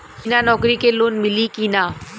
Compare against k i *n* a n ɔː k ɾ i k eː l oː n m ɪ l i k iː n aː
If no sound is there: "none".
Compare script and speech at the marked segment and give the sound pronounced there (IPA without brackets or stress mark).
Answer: n